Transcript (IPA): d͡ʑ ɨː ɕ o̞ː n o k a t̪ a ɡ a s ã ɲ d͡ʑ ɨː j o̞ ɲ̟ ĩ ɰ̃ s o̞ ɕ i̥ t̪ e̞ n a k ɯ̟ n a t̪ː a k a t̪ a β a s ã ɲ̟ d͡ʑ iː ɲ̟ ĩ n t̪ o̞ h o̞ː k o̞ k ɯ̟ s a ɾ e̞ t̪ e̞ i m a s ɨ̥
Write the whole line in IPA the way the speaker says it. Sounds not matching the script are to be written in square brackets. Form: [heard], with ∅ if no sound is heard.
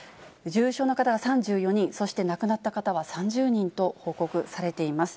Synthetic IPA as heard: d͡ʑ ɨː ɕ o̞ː n o k a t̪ a ɡ a s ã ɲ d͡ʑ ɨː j o̞ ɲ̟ ĩ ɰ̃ s o̞ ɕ i̥ t̪ e̞ n a k ɯ̟ n a t̪ː a k a t̪ a β a s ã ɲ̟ d͡ʑ [ɨː] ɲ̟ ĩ n t̪ o̞ h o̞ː k o̞ k ɯ̟ s a ɾ e̞ t̪ e̞ i m a s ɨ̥